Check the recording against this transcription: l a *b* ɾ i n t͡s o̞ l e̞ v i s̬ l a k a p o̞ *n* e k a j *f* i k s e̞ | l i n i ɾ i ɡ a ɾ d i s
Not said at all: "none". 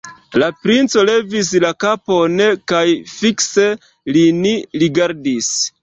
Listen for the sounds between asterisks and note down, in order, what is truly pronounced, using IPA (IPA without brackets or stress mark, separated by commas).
p, n, f